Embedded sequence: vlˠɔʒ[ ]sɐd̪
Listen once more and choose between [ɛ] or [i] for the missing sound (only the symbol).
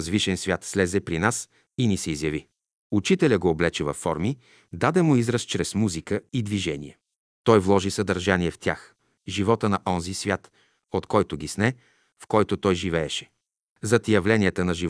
i